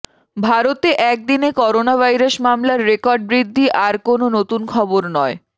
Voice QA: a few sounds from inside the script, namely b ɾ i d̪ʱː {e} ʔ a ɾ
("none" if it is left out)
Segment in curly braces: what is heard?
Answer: i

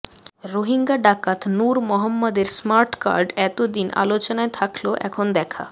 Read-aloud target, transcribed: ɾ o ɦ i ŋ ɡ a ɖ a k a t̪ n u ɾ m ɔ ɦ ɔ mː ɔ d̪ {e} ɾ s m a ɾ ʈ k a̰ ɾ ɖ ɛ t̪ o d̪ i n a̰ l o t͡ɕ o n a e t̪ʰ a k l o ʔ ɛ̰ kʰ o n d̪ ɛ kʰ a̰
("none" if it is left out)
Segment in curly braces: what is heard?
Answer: e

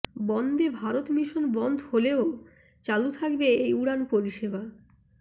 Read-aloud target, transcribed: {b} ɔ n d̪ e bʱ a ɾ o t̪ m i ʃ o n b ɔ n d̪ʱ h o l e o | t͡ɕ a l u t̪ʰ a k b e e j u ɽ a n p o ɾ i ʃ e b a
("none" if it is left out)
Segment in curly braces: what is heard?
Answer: b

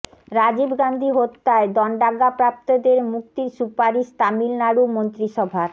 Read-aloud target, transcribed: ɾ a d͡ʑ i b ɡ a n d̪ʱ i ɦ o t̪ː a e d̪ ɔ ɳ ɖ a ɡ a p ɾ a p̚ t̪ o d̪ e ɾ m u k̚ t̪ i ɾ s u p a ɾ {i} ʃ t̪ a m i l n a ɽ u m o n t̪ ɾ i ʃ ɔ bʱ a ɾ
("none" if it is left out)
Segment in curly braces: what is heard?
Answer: i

